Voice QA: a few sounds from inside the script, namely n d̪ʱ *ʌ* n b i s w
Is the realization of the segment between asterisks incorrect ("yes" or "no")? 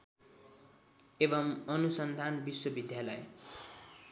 yes